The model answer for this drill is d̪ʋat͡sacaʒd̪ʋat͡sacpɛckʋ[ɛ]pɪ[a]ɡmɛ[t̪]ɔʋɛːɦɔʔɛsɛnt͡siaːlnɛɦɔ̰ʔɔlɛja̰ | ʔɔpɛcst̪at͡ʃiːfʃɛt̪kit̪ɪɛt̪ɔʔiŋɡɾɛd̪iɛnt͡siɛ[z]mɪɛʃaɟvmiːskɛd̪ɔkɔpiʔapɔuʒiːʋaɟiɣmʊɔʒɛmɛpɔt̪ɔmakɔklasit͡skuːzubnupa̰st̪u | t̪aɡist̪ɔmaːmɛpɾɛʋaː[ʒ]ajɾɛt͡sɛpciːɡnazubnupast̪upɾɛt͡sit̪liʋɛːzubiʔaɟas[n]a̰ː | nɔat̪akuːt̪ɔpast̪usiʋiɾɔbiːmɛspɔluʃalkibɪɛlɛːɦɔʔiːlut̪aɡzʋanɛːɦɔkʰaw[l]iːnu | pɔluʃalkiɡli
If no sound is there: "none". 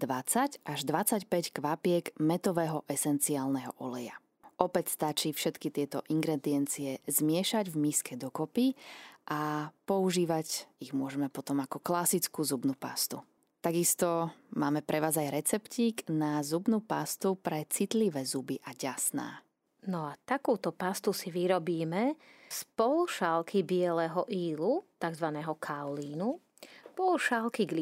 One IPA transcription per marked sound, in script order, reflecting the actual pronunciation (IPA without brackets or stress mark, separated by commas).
a, ɛ, t̪, z, z, n, l